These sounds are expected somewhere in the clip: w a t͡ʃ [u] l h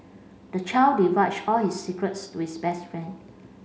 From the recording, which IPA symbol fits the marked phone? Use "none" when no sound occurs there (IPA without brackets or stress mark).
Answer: ɔ